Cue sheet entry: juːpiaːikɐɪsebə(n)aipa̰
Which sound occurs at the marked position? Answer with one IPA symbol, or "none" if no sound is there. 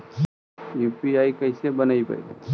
n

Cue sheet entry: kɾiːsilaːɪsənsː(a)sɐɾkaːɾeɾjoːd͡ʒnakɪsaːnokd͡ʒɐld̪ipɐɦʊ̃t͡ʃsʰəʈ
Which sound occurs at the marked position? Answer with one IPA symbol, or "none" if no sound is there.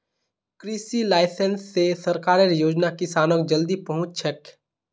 e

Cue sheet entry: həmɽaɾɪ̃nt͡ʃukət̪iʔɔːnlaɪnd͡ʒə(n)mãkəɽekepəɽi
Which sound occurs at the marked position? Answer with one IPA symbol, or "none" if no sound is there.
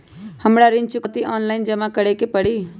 none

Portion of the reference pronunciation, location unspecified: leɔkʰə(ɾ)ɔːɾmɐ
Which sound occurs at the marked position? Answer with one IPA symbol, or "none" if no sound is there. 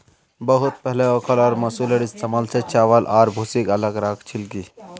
l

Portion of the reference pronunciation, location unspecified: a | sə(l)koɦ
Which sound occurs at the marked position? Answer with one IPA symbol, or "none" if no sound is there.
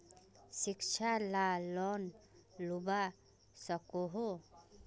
none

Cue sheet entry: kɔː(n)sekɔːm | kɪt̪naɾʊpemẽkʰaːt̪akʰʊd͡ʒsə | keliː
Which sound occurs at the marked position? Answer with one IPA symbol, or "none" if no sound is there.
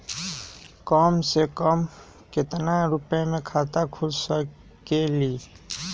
m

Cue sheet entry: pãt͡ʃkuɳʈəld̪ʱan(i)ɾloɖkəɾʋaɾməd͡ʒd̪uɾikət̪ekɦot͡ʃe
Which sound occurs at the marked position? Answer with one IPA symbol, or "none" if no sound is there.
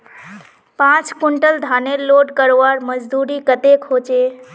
e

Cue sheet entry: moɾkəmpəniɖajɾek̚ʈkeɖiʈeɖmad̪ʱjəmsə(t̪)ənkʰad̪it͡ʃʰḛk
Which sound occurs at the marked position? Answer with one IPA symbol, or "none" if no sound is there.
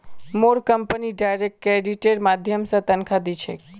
t̪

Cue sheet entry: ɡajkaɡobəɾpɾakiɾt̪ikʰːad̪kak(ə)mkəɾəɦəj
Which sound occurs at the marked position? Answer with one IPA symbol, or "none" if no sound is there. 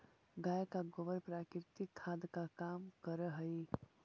a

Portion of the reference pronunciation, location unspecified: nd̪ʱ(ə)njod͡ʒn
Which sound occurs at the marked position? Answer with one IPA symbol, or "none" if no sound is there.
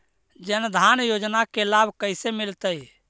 a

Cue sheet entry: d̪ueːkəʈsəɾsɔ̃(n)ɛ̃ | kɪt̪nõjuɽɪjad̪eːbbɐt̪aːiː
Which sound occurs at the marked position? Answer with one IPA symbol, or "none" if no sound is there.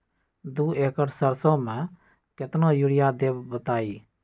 m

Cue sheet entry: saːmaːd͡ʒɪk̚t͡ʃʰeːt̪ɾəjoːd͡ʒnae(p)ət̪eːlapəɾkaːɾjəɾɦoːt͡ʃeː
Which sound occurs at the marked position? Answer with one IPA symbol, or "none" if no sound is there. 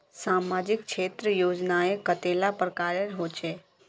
k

